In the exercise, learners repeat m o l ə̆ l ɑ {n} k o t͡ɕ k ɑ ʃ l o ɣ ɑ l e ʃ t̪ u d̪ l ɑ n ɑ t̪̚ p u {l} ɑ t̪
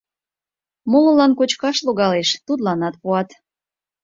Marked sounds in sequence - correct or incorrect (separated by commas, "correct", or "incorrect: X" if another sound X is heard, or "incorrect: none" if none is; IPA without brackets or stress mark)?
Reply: correct, incorrect: none